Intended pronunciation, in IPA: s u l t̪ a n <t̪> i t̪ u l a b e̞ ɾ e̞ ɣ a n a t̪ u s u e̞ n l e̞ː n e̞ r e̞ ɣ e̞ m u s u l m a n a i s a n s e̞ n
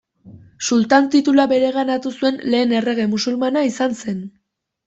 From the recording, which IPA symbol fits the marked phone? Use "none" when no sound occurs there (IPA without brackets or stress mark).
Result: t̪